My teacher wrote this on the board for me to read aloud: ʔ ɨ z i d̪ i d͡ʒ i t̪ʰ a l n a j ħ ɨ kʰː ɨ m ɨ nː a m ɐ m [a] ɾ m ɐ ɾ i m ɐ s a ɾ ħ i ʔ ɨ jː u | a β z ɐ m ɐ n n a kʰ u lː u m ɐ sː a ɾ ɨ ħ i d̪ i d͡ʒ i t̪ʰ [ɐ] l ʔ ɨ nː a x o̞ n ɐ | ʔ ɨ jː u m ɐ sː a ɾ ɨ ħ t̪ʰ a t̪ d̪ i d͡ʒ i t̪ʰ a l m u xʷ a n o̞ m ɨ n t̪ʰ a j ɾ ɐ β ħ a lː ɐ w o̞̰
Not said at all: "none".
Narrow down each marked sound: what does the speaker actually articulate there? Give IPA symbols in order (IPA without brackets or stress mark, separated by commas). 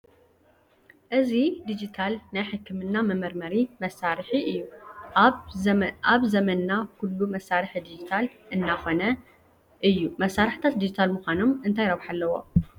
ɐ, a